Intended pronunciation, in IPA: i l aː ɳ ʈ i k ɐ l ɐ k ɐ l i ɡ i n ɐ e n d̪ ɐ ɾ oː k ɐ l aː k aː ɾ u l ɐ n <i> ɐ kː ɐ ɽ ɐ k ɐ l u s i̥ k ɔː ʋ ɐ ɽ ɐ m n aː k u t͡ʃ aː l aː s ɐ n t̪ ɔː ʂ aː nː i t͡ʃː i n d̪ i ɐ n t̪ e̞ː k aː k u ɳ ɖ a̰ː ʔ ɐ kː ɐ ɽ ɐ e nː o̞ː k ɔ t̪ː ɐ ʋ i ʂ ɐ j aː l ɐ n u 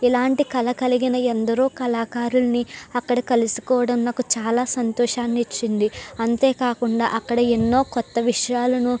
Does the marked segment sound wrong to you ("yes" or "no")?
no